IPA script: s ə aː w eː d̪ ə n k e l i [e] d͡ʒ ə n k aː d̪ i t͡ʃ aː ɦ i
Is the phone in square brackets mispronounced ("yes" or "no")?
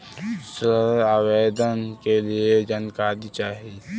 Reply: no